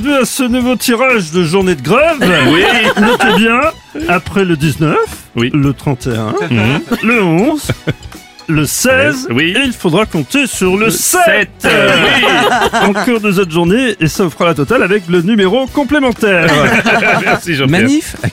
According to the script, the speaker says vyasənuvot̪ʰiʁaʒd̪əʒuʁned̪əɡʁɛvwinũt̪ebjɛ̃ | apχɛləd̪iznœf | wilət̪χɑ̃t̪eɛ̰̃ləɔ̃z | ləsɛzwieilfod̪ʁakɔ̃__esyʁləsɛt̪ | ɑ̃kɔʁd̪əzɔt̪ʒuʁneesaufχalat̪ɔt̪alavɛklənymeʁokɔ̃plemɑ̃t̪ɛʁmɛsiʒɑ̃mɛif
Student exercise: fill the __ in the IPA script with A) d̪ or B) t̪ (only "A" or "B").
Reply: B